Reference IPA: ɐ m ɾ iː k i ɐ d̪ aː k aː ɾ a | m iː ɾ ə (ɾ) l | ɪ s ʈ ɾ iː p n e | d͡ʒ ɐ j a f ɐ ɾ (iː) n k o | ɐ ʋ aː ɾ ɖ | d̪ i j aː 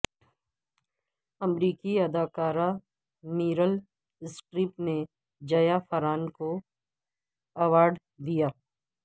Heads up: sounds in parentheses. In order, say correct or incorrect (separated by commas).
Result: incorrect, incorrect